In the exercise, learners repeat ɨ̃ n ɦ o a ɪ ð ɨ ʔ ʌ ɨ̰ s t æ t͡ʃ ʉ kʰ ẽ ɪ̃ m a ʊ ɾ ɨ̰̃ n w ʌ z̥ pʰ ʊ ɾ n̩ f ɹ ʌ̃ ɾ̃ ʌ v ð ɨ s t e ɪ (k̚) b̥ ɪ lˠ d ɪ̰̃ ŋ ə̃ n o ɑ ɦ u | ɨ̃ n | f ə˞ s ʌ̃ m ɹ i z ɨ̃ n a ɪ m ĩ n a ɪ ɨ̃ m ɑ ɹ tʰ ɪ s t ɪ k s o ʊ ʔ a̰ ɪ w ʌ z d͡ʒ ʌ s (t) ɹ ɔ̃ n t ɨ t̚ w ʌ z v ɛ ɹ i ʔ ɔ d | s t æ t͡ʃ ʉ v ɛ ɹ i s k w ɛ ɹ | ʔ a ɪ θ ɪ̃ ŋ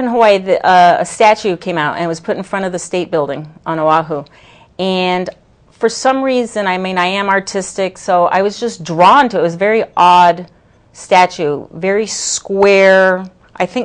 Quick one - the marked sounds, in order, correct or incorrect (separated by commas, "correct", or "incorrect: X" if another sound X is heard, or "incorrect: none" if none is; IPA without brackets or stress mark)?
incorrect: t̚, incorrect: d